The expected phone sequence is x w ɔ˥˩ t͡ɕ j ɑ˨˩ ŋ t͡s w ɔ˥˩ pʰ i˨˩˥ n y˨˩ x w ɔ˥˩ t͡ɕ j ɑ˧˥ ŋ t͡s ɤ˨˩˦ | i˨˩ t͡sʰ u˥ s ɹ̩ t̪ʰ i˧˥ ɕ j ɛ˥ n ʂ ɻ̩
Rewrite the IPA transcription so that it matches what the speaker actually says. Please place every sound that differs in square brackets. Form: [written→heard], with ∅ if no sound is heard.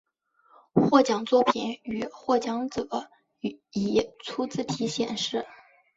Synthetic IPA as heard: x w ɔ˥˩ t͡ɕ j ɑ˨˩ ŋ t͡s w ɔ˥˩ pʰ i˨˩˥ n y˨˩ x w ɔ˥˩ t͡ɕ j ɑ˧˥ ŋ t͡s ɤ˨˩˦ | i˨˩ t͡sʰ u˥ [s→t͡s] ɹ̩ t̪ʰ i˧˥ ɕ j [ɛ˥→ɛ˨˩] n ʂ ɻ̩